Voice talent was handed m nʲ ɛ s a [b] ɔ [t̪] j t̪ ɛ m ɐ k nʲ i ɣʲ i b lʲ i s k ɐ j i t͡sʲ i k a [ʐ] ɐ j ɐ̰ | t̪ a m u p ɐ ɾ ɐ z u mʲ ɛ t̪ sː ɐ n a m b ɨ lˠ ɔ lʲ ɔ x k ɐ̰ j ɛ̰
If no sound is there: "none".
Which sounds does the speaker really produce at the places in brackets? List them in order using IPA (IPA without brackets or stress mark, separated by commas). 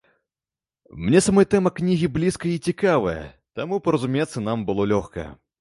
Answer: m, none, v